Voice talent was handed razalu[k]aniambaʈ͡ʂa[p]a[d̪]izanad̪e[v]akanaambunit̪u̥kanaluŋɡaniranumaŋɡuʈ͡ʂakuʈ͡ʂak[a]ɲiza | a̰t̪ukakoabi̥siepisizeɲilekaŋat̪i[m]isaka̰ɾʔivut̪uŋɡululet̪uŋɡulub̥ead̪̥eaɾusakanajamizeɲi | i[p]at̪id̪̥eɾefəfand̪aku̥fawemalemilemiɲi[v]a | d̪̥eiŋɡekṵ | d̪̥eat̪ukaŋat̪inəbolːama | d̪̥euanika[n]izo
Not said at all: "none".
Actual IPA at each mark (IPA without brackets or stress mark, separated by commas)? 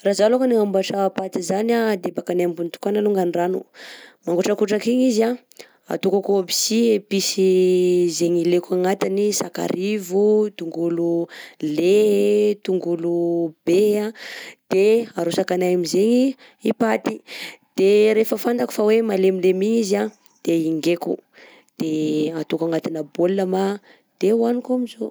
k, p, t̪, b, i, n, p, z, m